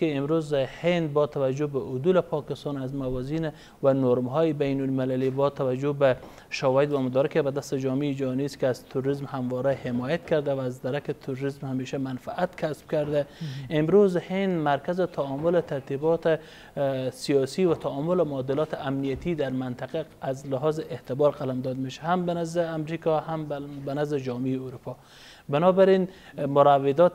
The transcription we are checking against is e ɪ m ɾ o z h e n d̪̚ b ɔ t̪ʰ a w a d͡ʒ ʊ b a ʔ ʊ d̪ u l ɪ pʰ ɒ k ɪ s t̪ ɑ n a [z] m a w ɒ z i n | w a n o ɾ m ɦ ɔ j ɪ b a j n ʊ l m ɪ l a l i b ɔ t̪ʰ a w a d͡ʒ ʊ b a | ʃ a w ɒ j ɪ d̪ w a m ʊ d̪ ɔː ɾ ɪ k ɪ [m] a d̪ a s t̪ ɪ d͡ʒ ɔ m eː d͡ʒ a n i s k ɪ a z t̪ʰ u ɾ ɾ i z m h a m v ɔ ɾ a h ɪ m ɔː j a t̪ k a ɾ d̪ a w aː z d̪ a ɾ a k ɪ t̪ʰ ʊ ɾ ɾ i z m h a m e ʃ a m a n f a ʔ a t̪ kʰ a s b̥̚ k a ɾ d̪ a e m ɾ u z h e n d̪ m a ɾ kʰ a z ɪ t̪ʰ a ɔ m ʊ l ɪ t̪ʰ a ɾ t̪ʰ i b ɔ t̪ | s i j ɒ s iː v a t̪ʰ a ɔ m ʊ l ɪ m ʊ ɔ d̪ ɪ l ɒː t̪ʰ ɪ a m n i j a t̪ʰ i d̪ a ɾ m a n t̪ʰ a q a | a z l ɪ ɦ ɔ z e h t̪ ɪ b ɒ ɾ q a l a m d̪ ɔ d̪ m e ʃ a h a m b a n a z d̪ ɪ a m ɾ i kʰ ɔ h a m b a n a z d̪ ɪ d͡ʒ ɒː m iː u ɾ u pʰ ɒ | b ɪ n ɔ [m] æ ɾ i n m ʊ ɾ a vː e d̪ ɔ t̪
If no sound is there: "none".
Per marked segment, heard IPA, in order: z, b, b

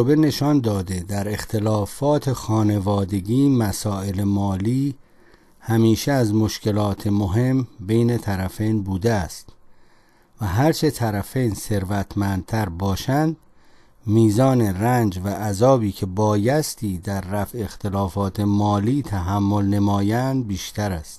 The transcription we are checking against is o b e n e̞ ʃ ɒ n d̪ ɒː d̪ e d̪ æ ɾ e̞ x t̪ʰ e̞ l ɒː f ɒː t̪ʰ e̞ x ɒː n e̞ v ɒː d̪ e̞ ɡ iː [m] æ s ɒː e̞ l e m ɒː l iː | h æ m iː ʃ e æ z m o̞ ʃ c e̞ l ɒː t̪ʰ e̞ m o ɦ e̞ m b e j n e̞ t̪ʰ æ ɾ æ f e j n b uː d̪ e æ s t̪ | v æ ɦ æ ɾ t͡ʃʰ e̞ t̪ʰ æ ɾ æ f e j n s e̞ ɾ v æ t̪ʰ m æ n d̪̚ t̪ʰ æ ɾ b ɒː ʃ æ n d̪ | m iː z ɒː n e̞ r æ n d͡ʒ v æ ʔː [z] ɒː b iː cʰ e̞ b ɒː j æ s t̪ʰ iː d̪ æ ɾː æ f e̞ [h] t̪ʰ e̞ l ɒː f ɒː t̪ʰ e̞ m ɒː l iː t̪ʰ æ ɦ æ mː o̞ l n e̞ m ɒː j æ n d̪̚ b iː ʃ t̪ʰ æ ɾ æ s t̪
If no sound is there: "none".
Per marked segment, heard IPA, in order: m, z, x

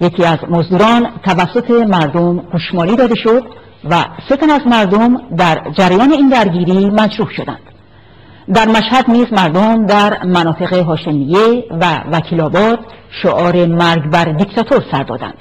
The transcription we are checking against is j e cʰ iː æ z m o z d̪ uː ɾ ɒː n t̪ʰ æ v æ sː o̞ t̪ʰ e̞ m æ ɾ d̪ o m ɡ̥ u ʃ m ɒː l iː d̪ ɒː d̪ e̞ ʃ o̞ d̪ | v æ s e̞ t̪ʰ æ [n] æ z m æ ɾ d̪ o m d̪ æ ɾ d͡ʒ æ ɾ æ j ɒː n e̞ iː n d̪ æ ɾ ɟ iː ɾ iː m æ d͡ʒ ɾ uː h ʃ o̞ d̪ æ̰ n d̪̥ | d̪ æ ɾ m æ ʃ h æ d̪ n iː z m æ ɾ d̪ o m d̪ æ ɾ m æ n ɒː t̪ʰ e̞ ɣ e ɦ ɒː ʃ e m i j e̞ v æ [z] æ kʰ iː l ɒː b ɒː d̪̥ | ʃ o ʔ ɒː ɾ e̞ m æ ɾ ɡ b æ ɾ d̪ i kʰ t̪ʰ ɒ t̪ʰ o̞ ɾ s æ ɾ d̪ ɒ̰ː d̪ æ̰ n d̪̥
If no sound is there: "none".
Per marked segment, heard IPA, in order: n, v

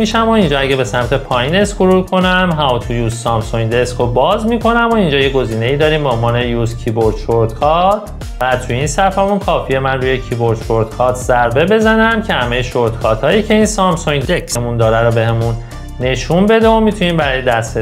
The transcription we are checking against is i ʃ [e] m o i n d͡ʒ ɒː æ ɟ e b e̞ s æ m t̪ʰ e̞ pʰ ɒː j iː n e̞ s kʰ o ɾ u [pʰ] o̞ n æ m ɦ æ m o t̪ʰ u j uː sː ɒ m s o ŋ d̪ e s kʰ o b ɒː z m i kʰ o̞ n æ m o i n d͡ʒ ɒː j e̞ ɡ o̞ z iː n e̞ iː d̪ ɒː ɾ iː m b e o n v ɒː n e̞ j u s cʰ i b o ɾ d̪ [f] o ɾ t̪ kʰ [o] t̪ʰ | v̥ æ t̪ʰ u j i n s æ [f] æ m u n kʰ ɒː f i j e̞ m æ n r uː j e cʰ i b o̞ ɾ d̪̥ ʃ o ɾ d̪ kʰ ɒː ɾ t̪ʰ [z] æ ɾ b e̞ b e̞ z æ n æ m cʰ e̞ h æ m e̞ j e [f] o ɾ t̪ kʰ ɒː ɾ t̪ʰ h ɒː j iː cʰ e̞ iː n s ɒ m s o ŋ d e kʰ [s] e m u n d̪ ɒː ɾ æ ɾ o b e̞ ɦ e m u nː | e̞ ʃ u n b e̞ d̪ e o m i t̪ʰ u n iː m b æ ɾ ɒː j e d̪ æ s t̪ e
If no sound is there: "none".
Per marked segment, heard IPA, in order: æ, kʰ, ʃ, ɒ, f, z, ʃ, s

